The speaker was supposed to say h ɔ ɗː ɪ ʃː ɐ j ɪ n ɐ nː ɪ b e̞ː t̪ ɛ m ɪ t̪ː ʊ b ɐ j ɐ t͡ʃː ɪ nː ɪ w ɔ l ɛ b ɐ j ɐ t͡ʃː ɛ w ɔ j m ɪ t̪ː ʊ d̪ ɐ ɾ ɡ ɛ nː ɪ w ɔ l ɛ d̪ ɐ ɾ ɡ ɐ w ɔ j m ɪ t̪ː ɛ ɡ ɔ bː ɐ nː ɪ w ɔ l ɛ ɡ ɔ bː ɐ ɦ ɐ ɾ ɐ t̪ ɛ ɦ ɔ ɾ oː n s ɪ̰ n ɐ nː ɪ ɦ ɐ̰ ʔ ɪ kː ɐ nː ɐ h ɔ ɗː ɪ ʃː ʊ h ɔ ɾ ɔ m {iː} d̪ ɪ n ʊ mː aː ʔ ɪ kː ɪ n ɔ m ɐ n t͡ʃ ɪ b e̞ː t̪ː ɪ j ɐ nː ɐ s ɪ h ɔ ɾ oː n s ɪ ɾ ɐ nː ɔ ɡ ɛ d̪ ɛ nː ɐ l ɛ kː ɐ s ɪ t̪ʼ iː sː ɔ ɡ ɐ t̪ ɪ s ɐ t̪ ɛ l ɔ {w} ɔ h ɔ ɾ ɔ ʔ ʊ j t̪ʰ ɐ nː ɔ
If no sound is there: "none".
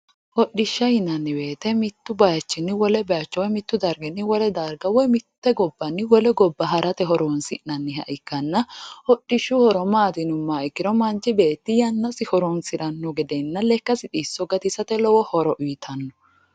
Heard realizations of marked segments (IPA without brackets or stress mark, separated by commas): aː, w